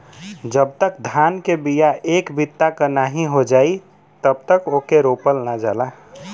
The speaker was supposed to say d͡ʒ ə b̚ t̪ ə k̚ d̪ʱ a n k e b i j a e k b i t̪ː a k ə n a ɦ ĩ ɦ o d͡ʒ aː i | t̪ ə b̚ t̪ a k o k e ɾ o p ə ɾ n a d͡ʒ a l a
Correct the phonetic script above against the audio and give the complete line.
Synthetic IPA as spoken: d͡ʒ ə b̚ t̪ ə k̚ d̪ʱ a n k e b i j a e k b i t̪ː a k ə n a ɦ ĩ ɦ o d͡ʒ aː i | t̪ ə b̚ t̪ ə k o k e ɾ o p ə l n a d͡ʒ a l a